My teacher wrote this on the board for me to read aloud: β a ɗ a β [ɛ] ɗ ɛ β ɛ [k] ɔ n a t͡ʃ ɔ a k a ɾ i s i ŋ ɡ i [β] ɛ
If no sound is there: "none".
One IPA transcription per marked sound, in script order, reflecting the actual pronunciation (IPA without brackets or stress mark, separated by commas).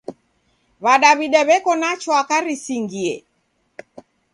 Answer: i, k, none